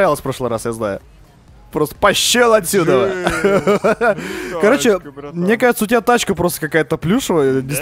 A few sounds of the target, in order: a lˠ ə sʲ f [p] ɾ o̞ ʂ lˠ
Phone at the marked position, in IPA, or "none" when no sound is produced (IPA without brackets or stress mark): p